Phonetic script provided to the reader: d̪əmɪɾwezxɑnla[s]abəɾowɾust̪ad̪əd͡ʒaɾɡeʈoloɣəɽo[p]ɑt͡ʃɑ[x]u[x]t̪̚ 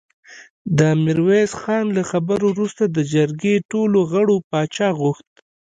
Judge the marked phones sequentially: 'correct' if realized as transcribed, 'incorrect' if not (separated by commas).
incorrect, correct, incorrect, correct